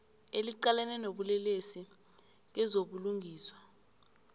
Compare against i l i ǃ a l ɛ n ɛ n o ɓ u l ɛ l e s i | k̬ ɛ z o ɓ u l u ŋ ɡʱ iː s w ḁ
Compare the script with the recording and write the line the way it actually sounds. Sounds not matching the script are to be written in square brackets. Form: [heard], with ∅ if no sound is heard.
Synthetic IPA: [e] l i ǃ a l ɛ n ɛ n o ɓ u l ɛ l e s i | k̬ ɛ z o ɓ u l u ŋ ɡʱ iː s w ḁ